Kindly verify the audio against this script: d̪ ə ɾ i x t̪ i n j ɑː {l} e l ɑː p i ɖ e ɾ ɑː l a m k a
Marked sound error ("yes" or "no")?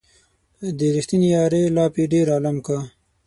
yes